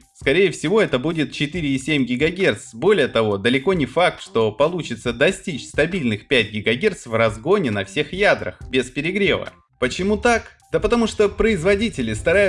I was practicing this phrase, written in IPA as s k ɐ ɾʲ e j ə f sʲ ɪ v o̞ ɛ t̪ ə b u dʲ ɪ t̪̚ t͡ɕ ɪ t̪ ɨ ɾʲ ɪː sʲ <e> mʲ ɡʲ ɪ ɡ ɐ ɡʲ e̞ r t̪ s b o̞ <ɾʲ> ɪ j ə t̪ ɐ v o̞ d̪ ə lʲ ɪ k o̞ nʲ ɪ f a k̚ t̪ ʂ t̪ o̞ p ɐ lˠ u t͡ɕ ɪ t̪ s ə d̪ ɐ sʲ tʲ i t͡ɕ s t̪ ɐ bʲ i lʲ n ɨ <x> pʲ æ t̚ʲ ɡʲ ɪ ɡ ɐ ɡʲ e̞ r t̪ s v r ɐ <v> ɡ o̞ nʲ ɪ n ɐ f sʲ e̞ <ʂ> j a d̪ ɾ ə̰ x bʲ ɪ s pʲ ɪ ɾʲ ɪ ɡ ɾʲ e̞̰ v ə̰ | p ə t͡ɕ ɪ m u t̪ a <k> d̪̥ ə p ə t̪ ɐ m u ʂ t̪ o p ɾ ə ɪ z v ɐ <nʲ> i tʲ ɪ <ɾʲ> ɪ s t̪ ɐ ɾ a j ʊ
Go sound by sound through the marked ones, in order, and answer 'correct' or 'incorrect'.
correct, incorrect: lʲ, correct, incorrect: z, incorrect: x, correct, incorrect: dʲ, incorrect: lʲ

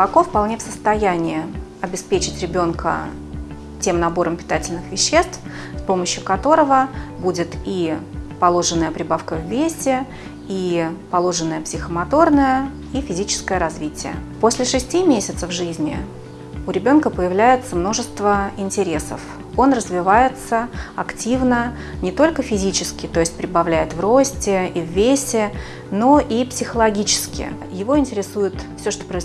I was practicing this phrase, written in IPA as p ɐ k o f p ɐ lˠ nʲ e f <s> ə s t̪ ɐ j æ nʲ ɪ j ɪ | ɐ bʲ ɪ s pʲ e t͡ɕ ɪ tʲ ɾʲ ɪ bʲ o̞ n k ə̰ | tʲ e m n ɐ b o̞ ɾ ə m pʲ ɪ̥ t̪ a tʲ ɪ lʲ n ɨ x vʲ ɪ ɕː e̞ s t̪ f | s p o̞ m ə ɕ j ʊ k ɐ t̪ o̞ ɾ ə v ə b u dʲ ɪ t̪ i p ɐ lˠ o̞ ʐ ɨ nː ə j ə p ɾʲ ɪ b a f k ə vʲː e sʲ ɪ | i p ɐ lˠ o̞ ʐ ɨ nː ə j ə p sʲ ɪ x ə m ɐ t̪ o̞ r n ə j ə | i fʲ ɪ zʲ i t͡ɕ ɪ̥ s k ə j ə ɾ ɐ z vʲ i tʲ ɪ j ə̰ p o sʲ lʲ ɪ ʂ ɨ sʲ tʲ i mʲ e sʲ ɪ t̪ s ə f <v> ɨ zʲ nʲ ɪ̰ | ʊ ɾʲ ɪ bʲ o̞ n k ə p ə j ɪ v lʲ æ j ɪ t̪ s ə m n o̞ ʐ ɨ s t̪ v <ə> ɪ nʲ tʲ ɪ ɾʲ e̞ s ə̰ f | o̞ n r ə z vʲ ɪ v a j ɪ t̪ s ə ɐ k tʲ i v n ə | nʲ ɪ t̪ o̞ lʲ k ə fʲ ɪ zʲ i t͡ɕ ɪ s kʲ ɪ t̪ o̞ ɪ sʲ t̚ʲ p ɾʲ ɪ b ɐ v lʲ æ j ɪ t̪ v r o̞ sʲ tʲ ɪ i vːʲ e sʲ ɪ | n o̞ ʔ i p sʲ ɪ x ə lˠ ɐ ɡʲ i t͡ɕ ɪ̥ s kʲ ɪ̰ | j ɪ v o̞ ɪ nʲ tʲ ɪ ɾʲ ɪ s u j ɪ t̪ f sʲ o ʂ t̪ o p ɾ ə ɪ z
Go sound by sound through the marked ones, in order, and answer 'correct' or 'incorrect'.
correct, incorrect: ʐ, correct

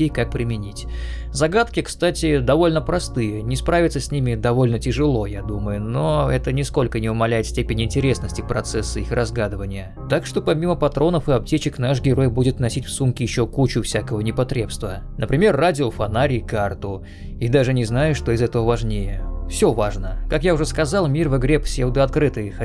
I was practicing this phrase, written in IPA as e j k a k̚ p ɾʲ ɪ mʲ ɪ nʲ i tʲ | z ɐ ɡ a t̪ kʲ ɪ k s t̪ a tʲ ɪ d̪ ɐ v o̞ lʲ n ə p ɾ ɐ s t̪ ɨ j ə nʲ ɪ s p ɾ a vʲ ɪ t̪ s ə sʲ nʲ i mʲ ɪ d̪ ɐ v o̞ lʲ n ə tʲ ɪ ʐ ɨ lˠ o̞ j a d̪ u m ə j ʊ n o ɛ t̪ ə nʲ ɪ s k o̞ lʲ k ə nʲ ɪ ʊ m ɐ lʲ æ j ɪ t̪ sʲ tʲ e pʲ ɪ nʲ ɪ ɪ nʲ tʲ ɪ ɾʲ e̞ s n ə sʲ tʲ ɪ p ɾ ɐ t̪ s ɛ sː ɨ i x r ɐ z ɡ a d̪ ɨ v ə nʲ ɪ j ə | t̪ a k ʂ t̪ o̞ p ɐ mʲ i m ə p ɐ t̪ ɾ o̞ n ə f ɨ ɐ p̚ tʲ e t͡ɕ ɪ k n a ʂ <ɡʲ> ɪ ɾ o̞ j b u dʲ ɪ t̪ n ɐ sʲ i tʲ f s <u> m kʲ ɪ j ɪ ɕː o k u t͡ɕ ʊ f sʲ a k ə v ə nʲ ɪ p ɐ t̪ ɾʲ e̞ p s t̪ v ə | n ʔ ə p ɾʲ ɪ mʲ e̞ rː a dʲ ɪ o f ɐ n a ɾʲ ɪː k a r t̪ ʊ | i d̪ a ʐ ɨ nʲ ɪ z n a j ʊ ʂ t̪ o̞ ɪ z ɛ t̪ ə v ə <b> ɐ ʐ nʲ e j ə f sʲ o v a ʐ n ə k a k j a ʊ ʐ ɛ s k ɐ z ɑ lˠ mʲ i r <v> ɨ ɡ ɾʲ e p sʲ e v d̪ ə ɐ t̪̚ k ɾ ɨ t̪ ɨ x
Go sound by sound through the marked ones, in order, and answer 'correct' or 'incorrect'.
correct, correct, incorrect: v, correct

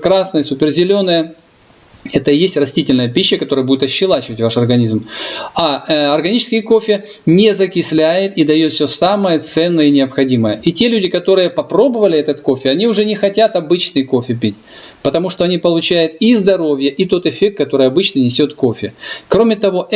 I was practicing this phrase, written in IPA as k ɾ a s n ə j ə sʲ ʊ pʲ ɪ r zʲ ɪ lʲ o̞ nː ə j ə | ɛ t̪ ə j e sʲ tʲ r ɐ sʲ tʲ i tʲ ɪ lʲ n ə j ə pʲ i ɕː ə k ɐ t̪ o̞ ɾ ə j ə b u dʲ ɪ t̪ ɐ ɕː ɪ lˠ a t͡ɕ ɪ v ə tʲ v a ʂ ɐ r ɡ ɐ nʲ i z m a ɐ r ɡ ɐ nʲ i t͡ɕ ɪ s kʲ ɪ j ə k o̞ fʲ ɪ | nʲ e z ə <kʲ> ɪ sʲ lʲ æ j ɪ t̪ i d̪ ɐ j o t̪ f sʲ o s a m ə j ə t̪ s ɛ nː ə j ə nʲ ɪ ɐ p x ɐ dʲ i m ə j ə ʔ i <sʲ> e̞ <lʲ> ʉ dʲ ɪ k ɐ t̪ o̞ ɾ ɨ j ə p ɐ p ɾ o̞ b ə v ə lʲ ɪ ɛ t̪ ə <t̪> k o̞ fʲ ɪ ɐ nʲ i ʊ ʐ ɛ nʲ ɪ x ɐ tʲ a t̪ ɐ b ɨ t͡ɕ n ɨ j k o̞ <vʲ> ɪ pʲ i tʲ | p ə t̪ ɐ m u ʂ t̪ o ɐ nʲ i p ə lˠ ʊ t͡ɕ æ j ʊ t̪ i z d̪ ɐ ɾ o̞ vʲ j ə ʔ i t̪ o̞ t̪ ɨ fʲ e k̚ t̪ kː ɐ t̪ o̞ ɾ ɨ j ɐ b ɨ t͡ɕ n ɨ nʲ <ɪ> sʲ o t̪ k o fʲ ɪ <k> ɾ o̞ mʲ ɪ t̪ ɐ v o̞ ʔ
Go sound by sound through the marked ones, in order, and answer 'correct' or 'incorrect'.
correct, incorrect: tʲ, correct, correct, incorrect: fʲ, correct, correct

